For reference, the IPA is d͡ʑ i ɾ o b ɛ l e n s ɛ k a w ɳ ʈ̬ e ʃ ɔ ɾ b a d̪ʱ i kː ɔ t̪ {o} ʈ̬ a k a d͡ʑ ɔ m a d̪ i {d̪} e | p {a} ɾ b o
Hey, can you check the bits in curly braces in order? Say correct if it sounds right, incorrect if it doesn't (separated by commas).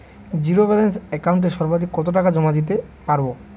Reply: correct, incorrect, correct